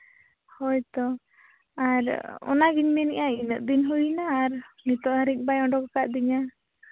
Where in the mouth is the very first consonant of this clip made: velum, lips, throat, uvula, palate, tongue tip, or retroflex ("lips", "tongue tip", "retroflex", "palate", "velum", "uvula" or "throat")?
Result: throat